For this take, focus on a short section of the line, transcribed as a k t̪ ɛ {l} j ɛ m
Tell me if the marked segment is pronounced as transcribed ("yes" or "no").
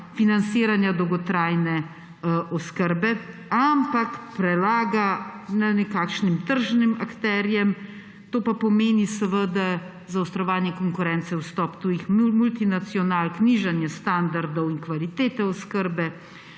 no